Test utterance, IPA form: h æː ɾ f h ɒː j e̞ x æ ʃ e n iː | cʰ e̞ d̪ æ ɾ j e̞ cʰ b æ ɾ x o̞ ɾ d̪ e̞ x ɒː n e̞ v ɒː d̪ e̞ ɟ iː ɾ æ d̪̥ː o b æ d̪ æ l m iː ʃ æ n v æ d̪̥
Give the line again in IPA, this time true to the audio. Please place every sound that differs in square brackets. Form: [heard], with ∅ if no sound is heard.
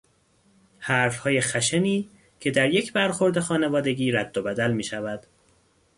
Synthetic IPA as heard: h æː ɾ f h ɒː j e̞ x æ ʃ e n iː | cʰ e̞ d̪ æ ɾ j e̞ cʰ b æ ɾ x o̞ ɾ d̪ e̞ x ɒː n e̞ v ɒː d̪ e̞ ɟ iː ɾ æ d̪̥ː o b æ d̪ æ l m iː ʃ æ [∅] v æ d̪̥